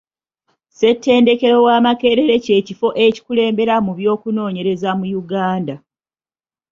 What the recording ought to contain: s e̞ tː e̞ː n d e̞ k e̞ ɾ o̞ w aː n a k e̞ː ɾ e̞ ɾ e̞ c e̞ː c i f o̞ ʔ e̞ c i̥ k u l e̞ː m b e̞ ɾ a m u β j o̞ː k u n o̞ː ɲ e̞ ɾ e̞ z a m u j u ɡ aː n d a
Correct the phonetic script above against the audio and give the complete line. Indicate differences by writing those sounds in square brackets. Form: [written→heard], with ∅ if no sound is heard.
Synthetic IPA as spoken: s e̞ tː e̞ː n d e̞ k e̞ ɾ o̞ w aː [n→m] a k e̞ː ɾ e̞ ɾ e̞ c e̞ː c i f o̞ ʔ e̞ c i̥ k u l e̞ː m b e̞ ɾ a m u β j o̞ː k u n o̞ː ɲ e̞ ɾ e̞ z a m u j u ɡ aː n d a

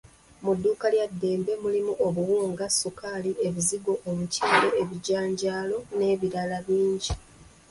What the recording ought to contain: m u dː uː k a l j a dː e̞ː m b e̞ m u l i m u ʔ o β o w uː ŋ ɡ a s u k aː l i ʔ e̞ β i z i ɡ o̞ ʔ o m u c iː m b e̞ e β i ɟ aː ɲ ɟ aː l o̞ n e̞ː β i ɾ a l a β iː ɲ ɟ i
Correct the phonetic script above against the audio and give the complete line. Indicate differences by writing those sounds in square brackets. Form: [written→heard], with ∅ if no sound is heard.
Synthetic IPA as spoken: m u dː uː k a l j a dː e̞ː m b e̞ m u l i m u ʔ o β [o→u] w uː ŋ ɡ a s u k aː l i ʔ e̞ β i z i ɡ o̞ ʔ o m u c iː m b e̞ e β i ɟ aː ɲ ɟ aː l o̞ n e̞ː β i ɾ a l a β iː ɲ ɟ i

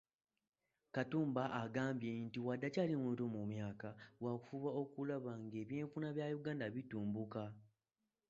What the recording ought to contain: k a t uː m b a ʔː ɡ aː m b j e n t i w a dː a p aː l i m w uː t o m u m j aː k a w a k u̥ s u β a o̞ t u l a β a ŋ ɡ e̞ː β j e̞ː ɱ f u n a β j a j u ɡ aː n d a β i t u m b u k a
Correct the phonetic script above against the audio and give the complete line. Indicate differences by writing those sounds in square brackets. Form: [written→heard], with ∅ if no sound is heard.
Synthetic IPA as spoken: k a t uː m b a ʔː ɡ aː m b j e n t i w a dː a [p→c] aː l i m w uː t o m u m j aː k a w a k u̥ [s→f] u β a o̞ [t→k] u l a β a ŋ ɡ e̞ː β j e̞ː ɱ f u n a β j a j u ɡ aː n d a β i t [u→uː] m b u k a

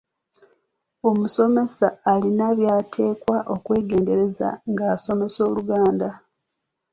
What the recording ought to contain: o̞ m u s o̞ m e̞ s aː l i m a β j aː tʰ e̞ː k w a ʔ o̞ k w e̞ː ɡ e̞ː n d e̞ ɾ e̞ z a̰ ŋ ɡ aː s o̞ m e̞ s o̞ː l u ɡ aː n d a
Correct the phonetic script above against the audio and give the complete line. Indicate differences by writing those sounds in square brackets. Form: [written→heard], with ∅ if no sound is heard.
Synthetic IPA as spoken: o̞ m u s o̞ m e̞ s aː l i [m→n] a β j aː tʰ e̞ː k w a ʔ o̞ k w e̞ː ɡ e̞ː n d e̞ ɾ e̞ z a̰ ŋ ɡ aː s o̞ m e̞ s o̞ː l u ɡ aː n d a

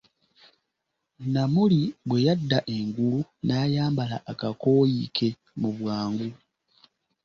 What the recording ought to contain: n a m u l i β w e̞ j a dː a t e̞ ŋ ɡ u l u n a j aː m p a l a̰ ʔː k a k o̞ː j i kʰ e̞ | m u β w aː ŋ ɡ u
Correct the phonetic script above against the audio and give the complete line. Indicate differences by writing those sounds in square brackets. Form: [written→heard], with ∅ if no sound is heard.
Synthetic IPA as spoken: n a m u l i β w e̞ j a dː a [t→ʔ] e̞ ŋ ɡ u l u n a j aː m [p→b] a l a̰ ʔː k a k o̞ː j i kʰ e̞ | m u β w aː ŋ ɡ u

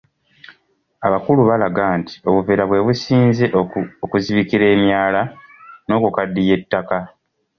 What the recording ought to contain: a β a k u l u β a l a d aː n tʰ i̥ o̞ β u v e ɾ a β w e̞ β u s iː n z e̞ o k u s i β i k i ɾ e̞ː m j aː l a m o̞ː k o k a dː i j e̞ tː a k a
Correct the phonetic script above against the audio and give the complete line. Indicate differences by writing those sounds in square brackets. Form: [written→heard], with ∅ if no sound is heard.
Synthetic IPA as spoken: a β a k u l u β a l a [d→ɡ] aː n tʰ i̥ o̞ β u v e ɾ a β w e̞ β u s iː n z e̞ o k u [s→z] i β i k i ɾ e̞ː m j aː l a [m→n] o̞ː k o k a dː i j e̞ tː a k a

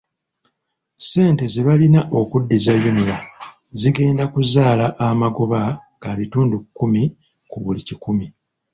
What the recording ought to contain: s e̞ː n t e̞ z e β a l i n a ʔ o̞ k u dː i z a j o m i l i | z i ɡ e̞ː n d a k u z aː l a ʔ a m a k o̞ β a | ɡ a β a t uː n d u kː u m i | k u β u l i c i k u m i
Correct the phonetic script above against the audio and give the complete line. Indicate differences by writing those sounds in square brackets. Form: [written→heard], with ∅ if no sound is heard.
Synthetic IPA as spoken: s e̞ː n t e̞ z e β a l i n a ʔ o̞ k u dː i z a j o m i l [i→a] | z i ɡ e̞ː n d a k u z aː l a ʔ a m a [k→ɡ] o̞ β a | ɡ a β [a→i] t uː n d u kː u m i | k u β u l i c i k u m i

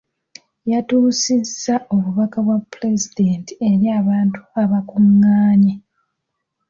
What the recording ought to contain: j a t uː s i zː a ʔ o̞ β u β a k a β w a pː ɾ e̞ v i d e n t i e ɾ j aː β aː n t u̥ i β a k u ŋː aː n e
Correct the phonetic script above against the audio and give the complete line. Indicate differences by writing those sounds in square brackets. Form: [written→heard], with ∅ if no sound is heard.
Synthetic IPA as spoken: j a t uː s i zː a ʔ o̞ β u β a k a β w a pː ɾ e̞ [v→z] i d e n t i e ɾ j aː β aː n t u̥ [i→a] β a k u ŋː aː [n→ɲ] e

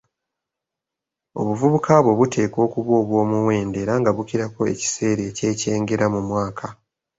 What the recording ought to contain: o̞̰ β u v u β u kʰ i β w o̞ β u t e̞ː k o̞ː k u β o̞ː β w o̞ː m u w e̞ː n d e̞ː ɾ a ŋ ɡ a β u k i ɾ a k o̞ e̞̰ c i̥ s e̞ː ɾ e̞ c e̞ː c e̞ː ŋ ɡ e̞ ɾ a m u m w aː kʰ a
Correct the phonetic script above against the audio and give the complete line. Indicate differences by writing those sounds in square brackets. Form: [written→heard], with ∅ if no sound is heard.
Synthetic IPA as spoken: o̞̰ β u v u β u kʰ [i→a] β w o̞ β u t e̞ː k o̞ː k u β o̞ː β w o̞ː m u w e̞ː n d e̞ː ɾ a ŋ ɡ a β u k i ɾ a k o̞ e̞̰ c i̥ s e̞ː ɾ e̞ c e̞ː c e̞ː ŋ ɡ e̞ ɾ a m u m w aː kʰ a

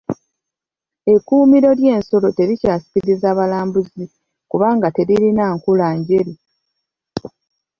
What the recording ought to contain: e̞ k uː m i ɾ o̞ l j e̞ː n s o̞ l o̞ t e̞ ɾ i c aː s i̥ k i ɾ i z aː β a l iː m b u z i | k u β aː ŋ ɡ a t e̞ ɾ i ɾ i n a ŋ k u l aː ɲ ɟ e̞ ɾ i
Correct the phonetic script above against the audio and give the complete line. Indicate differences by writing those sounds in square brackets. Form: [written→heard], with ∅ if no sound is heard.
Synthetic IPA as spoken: e̞ k uː m i ɾ o̞ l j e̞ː n s o̞ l o̞ t e̞ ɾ i c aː s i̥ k i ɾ i z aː β a l [iː→aː] m b u z i | k u β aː ŋ ɡ a t e̞ ɾ i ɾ i n a ŋ k u l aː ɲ ɟ e̞ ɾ i

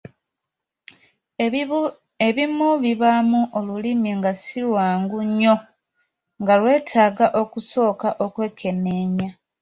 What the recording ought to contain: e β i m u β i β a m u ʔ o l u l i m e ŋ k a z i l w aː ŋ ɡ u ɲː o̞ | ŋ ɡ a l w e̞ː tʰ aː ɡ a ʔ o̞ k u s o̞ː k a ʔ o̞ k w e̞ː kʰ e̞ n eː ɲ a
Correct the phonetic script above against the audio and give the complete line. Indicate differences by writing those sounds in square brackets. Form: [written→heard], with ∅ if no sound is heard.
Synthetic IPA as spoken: e β i m u β i β a m u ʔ o l u l i m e ŋ [k→ɡ] a [z→s] i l w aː ŋ ɡ u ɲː o̞ | ŋ ɡ a l w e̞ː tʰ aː ɡ a ʔ o̞ k u s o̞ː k a ʔ o̞ k w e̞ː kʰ e̞ n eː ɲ a

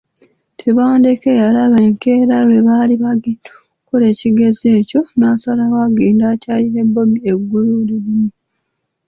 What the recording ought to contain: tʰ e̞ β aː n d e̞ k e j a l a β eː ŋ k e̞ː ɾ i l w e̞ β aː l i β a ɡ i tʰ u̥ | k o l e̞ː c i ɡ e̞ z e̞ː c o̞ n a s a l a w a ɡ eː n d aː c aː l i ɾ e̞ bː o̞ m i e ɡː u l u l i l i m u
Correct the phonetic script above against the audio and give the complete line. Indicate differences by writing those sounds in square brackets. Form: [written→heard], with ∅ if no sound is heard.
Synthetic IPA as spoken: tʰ e̞ β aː n d e̞ k e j a l a β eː ŋ k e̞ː ɾ [i→a] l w e̞ β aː l i β a ɡ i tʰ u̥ | k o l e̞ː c i ɡ e̞ z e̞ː c o̞ n a s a l a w a ɡ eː n d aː c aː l i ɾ e̞ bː o̞ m i e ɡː u l u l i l i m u

